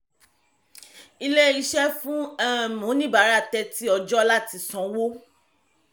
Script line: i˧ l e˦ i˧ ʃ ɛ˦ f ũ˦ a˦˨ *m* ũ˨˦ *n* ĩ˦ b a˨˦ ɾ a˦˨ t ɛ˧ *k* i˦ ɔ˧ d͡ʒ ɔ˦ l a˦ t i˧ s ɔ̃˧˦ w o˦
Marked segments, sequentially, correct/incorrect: correct, correct, incorrect

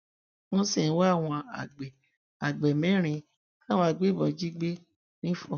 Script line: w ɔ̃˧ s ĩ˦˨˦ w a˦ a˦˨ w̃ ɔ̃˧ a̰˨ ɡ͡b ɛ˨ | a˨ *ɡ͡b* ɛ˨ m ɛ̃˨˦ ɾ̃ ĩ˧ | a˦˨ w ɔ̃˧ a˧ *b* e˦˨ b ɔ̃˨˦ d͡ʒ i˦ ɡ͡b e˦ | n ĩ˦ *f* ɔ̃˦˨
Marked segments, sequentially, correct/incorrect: correct, incorrect, correct

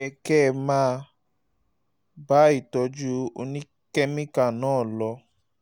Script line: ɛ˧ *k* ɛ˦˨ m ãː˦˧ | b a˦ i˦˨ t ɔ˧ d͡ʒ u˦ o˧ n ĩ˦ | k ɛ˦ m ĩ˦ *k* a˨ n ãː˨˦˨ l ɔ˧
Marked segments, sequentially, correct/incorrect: correct, correct

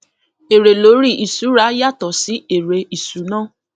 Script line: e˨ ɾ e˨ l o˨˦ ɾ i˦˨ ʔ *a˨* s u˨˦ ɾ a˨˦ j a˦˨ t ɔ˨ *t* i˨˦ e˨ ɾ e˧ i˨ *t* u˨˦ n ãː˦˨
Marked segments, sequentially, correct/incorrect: incorrect, incorrect, incorrect

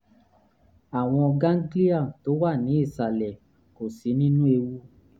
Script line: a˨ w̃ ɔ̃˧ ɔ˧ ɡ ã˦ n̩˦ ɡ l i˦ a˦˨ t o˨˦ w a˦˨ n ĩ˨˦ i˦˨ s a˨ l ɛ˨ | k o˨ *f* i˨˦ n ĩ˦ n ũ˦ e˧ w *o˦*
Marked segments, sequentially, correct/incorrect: incorrect, incorrect

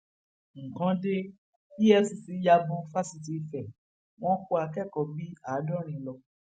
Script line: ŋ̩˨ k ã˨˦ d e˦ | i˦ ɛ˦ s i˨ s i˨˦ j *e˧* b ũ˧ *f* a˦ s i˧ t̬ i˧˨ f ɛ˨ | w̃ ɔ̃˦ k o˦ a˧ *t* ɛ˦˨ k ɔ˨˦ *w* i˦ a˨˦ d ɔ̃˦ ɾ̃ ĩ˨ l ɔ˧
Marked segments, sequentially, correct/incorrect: incorrect, correct, incorrect, incorrect

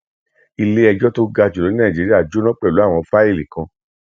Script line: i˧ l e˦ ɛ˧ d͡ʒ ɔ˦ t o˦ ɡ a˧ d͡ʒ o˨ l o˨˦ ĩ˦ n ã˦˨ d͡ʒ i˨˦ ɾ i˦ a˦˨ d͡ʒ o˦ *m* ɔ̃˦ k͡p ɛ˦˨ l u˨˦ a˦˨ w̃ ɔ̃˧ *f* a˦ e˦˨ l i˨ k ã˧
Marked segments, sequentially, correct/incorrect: incorrect, correct

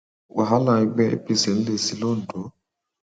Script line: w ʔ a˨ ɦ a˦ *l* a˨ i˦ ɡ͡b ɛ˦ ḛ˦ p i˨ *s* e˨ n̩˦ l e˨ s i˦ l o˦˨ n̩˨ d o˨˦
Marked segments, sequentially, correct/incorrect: correct, correct

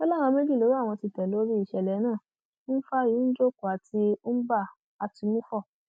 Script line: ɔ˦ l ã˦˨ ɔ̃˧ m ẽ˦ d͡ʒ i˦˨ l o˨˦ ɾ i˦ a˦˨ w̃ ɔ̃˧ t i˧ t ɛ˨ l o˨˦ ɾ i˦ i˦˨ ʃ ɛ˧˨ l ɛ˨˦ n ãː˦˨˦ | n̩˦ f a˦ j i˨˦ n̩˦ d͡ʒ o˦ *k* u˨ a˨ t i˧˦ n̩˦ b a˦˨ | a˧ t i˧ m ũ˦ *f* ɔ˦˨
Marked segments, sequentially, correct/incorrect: correct, correct

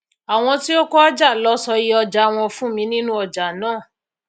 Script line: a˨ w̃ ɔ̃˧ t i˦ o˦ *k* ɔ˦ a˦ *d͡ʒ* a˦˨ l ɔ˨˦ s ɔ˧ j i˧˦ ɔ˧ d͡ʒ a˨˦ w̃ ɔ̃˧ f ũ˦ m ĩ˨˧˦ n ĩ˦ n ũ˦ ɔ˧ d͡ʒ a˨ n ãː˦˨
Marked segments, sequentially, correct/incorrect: correct, correct

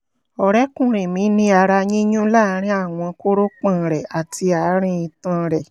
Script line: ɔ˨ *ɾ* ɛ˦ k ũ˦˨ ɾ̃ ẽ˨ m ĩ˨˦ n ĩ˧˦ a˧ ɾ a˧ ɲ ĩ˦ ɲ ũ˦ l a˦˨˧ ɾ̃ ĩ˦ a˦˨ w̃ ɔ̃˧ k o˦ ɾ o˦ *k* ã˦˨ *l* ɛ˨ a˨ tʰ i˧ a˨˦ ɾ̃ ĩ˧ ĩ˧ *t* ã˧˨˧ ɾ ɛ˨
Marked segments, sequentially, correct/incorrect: correct, incorrect, incorrect, correct

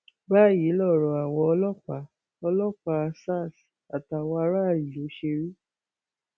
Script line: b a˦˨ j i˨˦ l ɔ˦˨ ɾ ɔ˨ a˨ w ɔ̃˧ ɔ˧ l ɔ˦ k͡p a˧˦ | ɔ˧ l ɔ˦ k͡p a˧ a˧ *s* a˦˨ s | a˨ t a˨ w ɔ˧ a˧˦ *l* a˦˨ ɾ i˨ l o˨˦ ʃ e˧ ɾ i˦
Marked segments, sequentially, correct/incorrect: correct, incorrect

